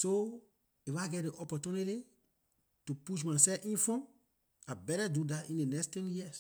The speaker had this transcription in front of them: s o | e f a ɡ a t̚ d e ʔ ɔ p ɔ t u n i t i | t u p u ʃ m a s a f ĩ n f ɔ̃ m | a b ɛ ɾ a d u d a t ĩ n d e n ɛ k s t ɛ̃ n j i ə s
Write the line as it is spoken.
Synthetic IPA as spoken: s o | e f a ɡ ɛ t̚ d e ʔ ɔ p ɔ t u n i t i | t u p u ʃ m a s ɛ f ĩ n f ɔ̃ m | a b ɛ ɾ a d u d a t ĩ n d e n ɛ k s t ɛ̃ n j i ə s